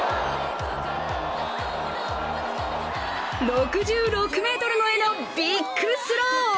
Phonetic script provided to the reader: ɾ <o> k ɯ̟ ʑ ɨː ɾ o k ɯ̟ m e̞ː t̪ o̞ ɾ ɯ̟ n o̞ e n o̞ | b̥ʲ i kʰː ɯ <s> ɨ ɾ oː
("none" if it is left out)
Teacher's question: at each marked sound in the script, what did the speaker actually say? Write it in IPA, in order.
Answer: o, s

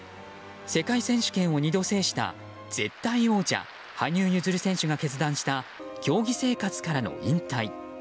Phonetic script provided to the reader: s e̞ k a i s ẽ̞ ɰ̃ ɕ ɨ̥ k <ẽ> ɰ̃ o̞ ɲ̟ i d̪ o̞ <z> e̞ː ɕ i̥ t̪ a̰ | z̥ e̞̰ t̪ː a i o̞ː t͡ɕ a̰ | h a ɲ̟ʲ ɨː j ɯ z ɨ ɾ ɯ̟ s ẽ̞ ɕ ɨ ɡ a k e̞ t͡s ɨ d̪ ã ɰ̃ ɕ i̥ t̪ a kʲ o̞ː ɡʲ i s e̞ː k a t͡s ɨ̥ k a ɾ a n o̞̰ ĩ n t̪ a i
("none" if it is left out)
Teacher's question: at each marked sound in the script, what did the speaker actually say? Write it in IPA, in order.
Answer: ẽ, s

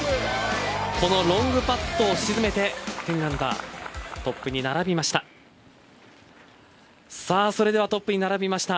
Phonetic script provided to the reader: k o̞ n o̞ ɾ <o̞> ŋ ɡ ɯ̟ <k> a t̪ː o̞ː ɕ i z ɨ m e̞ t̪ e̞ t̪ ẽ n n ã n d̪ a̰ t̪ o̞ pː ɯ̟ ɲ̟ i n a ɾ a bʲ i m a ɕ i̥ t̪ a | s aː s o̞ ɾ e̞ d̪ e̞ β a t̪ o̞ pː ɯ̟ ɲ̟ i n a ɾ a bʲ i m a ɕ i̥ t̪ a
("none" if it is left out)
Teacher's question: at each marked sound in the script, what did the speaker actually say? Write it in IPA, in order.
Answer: õ̞, p

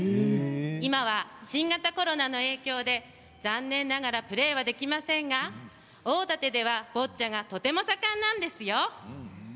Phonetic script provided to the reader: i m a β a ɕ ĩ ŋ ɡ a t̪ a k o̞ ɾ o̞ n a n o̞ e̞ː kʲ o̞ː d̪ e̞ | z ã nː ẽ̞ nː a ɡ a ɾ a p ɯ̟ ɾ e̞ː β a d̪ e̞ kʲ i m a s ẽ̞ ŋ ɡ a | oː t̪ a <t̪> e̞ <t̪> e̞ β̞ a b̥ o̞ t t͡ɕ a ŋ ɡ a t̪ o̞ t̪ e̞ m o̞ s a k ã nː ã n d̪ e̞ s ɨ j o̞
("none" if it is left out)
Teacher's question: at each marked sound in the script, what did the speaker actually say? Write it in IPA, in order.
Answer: t̪, d̪

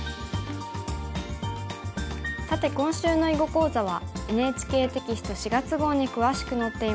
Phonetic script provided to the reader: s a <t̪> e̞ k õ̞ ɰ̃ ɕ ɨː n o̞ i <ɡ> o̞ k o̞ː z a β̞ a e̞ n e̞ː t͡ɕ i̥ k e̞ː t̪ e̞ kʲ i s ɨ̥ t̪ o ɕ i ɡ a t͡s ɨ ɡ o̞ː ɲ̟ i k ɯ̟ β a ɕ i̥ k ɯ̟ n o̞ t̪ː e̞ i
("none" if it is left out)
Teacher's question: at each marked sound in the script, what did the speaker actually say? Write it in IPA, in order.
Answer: t̪, ɡ

